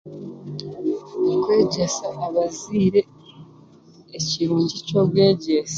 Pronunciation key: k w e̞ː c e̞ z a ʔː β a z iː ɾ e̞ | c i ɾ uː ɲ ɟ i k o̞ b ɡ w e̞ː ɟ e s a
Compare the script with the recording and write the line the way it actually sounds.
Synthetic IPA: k w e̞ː ɟ e̞ s a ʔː β a z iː ɾ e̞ | c i ɾ uː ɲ ɟ i c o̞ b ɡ w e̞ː ɟ e s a